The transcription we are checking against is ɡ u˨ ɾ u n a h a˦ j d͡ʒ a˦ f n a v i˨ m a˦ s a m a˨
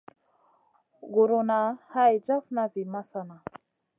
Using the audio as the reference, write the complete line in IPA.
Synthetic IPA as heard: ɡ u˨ ɾ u n a h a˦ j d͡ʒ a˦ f n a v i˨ m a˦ s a n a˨